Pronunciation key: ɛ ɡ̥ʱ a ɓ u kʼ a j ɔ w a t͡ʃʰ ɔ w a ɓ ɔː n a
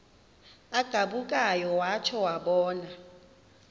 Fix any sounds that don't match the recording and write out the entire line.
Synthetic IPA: a ɡ̥ʱ a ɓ u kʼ a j ɔ w a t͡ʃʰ ɔ w a ɓ ɔː n a